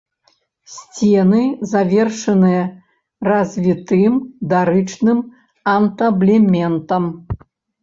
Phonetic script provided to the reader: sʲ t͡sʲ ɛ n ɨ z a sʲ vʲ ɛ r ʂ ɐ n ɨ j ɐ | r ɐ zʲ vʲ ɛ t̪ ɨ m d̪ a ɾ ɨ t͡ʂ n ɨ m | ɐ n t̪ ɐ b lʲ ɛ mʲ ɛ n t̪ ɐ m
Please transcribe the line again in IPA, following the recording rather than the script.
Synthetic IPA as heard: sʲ t͡sʲ ɛ n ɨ z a vʲ ɛ r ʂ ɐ n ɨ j ɐ | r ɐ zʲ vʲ i t̪ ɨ m d̪ a ɾ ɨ t͡ʂ n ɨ m | ɐ n t̪ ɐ b lʲ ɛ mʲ ɛ n t̪ ɐ m